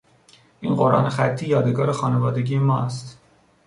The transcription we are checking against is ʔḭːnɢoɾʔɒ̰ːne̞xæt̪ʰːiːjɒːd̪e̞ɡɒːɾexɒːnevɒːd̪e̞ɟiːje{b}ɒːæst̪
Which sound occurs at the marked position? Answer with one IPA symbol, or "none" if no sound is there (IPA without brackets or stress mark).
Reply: m